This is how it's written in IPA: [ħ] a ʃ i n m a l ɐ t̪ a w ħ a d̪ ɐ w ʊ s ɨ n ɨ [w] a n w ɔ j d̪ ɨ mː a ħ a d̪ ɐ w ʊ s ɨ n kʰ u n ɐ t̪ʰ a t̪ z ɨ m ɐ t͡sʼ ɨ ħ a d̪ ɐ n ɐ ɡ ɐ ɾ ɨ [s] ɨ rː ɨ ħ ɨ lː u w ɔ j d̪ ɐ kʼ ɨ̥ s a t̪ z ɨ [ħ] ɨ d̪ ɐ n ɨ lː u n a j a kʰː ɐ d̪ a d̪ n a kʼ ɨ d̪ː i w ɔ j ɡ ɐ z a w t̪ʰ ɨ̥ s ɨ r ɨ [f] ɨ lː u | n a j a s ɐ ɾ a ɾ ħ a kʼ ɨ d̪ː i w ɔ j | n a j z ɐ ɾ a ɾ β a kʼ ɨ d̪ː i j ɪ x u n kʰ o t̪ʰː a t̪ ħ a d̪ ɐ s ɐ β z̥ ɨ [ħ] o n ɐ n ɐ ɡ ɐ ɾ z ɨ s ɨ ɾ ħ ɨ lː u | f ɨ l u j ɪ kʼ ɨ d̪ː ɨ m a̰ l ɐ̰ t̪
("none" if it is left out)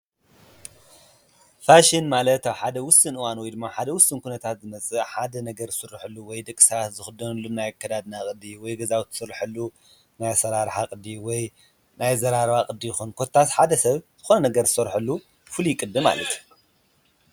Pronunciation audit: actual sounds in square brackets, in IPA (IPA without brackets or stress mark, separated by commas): f, w, s, x, ħ, x